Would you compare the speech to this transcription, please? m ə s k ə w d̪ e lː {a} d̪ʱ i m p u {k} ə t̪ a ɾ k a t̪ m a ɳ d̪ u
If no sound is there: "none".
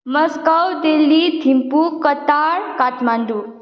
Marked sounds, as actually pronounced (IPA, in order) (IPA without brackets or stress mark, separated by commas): i, k